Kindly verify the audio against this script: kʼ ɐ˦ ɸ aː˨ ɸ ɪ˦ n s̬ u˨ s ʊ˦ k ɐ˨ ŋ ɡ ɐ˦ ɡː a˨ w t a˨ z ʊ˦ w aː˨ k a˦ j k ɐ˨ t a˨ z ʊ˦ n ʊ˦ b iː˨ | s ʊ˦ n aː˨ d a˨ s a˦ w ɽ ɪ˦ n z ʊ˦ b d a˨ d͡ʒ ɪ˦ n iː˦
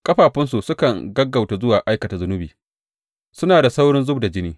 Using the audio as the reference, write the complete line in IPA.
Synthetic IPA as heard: kʼ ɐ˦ ɸ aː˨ ɸ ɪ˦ n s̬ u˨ s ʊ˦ k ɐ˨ ŋ ɡ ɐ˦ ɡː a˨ w t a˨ z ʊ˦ w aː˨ ʔ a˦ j k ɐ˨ t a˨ z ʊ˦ n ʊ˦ b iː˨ | s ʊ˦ n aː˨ d a˨ s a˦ w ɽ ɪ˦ n z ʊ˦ b d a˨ d͡ʒ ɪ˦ n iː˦